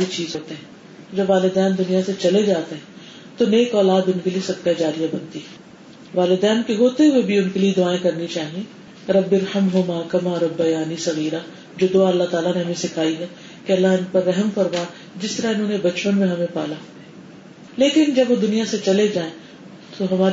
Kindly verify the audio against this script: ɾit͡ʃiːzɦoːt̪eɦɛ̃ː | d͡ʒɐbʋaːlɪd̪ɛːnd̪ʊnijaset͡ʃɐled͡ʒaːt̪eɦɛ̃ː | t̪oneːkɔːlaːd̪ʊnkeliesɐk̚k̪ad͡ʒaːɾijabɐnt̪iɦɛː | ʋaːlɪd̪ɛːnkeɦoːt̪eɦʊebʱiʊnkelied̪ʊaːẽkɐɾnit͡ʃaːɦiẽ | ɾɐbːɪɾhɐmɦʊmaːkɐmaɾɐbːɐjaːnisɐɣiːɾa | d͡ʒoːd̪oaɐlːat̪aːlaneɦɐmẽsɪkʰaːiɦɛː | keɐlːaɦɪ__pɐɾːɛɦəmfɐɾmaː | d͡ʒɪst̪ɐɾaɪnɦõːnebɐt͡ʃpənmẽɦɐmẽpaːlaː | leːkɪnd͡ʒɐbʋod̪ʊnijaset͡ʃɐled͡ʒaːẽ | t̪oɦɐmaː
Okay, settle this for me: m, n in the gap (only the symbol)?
n